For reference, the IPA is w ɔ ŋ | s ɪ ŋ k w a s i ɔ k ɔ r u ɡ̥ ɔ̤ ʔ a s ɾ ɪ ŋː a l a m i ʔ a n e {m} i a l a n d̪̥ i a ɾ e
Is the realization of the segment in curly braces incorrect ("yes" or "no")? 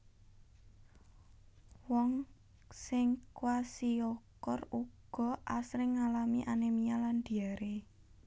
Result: no